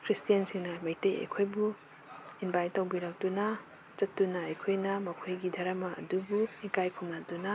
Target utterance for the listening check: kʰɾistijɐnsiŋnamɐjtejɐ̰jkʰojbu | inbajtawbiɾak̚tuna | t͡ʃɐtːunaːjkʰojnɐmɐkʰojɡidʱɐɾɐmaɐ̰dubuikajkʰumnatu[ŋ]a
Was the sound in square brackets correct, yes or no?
no